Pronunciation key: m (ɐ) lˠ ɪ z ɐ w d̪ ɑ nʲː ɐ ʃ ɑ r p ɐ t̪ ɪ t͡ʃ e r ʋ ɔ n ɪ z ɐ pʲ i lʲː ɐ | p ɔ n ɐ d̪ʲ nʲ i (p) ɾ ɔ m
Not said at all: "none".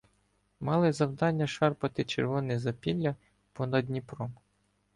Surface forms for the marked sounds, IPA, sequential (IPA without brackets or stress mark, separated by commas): ɑ, p